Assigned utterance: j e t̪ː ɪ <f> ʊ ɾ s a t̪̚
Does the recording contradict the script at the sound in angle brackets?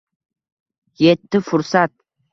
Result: no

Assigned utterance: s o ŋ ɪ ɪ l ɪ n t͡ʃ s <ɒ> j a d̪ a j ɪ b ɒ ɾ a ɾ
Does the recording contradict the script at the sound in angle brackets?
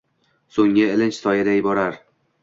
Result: no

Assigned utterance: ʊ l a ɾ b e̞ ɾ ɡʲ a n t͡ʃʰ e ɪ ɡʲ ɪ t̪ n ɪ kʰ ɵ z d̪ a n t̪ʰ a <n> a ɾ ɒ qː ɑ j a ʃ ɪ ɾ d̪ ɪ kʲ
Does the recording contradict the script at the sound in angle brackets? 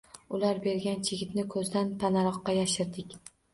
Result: no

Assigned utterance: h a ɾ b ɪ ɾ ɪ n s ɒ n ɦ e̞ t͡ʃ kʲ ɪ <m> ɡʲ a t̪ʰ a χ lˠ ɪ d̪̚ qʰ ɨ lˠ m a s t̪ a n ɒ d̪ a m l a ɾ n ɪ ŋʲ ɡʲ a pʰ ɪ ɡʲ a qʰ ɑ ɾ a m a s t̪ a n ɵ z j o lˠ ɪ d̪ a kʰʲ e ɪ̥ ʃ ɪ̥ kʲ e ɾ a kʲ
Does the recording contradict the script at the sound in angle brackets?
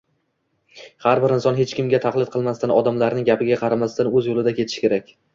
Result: no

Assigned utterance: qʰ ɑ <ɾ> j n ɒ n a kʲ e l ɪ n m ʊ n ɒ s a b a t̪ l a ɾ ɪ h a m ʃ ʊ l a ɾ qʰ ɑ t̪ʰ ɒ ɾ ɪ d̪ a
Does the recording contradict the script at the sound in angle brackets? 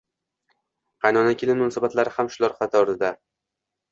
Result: yes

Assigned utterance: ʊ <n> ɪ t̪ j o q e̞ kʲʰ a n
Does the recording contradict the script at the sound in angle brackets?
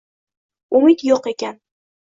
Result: yes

